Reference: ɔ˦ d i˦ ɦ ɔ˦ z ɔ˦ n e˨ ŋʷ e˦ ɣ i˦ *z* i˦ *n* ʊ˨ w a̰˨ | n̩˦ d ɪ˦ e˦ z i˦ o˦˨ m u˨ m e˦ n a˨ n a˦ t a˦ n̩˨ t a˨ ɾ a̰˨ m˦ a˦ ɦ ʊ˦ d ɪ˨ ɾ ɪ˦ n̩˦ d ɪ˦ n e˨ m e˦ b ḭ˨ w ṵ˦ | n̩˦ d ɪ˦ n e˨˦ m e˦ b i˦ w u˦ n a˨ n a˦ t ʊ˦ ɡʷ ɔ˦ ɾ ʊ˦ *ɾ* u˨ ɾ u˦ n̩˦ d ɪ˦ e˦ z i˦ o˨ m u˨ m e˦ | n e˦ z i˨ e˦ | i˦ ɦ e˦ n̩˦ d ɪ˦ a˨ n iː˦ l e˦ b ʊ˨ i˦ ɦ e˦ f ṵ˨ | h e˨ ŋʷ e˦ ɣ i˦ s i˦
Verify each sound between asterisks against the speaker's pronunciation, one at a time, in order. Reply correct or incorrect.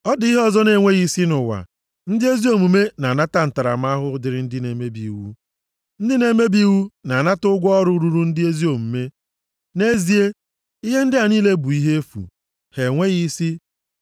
incorrect, correct, correct

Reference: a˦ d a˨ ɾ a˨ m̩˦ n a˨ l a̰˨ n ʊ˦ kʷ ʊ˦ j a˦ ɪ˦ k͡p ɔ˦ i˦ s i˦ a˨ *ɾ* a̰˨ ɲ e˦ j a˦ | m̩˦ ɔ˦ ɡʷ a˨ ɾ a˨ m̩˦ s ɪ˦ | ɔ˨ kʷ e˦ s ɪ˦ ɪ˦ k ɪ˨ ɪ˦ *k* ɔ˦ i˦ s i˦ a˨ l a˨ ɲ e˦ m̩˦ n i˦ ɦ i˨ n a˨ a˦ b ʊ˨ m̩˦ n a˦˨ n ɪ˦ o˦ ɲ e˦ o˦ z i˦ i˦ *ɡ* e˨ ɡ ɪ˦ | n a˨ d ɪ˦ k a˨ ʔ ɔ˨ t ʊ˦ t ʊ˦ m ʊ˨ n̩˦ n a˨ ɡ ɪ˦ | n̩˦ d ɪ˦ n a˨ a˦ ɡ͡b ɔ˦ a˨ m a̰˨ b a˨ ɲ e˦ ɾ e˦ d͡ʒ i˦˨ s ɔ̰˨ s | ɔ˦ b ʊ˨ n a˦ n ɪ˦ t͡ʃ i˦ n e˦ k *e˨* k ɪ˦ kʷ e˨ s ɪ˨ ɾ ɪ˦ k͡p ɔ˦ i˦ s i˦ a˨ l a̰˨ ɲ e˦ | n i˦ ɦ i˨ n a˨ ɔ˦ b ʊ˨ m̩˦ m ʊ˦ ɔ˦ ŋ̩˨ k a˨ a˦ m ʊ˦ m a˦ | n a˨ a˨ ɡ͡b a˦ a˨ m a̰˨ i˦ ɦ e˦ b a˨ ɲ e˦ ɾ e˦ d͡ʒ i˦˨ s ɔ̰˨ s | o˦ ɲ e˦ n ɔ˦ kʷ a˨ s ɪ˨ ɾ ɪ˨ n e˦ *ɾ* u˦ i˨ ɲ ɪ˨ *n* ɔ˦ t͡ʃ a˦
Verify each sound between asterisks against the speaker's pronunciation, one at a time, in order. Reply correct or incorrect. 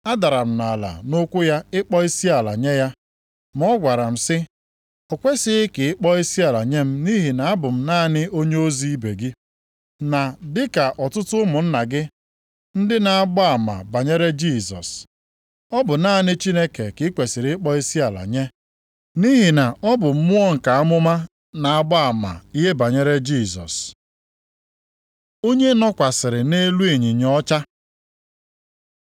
incorrect, incorrect, incorrect, correct, incorrect, incorrect

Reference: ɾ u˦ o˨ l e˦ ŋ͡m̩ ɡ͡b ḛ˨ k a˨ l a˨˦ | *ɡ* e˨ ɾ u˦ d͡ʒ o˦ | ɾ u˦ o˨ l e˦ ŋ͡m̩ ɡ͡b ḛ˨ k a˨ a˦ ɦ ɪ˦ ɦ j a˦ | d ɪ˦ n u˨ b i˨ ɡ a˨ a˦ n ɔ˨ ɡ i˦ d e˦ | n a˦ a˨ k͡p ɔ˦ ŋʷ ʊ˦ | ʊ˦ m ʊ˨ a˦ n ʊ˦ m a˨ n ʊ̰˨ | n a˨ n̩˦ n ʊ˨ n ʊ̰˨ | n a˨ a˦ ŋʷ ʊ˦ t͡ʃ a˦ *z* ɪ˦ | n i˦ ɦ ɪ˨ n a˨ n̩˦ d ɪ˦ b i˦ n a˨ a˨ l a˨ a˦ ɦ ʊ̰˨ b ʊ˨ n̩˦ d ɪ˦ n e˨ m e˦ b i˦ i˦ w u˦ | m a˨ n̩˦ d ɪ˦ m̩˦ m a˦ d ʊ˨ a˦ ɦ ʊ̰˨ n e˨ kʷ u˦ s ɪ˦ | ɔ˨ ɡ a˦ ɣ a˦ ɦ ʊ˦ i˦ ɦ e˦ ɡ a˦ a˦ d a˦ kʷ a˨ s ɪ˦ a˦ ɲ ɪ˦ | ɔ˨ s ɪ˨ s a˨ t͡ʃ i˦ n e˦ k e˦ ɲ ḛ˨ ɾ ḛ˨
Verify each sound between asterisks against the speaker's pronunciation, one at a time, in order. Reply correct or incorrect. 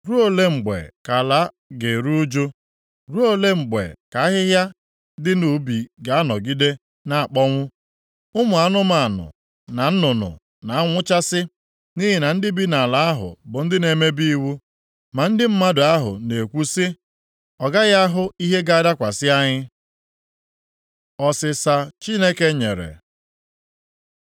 correct, incorrect

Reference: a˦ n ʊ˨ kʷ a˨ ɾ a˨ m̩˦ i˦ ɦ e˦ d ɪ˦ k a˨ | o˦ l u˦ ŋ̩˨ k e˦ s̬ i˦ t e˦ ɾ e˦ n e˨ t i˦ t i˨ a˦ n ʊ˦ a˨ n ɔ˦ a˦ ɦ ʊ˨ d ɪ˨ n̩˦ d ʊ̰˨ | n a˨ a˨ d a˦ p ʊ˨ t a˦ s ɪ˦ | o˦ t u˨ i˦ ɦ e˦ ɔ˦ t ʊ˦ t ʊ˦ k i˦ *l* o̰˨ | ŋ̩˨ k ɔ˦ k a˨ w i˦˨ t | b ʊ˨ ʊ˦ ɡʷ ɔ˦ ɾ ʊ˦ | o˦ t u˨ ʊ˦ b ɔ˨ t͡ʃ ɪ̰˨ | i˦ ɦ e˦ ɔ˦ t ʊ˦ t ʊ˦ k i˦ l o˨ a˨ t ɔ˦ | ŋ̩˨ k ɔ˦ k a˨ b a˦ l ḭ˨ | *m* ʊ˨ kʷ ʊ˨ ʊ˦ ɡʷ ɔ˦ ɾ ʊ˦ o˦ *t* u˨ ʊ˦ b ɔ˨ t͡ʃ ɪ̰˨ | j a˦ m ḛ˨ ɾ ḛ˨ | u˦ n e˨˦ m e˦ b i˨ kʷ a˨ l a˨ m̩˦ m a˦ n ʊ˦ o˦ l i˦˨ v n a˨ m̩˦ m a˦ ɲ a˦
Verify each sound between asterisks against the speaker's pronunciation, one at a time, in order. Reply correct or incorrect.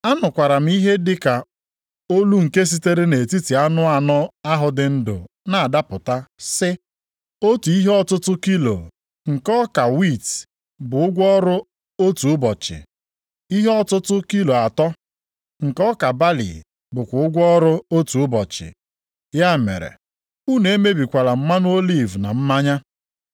correct, incorrect, correct

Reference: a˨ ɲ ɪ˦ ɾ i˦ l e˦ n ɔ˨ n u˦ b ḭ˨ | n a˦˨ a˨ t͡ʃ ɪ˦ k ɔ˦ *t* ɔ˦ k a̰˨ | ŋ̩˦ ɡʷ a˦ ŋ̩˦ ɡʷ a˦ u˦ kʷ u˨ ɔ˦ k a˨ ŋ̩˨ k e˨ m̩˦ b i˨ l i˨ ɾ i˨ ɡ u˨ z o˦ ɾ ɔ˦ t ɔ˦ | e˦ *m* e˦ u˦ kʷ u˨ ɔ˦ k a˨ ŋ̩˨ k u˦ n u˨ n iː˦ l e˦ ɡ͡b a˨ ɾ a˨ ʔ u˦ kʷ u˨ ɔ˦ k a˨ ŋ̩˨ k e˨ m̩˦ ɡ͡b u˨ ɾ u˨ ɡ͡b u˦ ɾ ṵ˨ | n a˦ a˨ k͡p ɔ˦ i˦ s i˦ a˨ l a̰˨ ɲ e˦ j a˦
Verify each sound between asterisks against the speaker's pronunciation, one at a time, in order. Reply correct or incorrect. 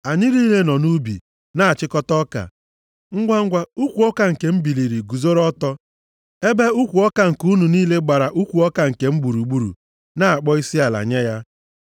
correct, incorrect

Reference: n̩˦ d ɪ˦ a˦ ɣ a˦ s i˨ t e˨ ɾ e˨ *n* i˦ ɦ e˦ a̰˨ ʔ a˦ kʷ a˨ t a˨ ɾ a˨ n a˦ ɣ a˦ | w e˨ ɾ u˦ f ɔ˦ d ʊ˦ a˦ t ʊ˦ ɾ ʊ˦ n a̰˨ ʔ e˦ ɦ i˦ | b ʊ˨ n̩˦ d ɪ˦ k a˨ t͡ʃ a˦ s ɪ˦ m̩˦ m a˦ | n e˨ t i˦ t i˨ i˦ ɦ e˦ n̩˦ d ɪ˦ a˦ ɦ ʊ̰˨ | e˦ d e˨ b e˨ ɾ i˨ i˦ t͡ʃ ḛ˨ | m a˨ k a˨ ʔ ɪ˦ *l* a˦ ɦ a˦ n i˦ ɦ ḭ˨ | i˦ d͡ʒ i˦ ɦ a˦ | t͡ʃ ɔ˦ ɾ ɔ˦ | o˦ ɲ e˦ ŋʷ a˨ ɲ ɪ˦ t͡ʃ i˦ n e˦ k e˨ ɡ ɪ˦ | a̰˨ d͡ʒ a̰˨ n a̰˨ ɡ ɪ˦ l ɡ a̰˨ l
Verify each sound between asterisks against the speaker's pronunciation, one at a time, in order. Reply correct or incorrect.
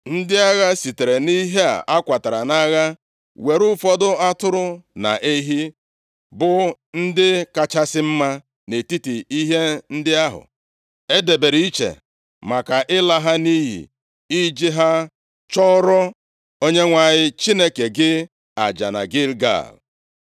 correct, correct

